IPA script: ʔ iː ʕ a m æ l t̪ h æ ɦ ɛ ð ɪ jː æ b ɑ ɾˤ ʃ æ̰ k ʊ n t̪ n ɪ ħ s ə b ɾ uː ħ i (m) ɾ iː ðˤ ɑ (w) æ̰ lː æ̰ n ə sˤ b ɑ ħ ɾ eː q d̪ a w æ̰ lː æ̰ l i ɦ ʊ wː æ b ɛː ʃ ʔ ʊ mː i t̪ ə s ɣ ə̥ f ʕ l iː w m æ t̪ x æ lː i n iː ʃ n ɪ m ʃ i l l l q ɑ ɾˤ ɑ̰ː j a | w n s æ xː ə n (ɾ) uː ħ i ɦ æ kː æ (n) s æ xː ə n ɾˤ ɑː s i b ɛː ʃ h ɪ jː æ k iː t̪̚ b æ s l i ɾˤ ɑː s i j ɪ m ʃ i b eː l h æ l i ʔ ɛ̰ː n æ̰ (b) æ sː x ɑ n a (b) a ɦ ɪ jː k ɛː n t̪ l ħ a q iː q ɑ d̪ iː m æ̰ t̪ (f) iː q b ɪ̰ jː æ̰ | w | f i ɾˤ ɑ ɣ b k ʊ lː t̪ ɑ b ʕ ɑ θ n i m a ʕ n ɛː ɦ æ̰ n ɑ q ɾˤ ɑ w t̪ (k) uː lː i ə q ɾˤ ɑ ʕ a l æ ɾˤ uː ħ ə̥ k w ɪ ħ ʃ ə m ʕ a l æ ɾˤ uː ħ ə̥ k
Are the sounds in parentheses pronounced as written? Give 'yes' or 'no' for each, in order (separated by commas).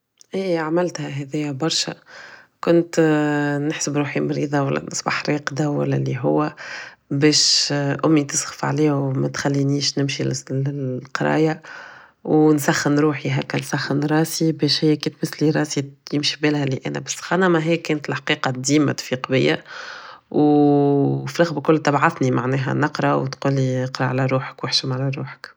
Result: yes, yes, yes, yes, yes, no, yes, no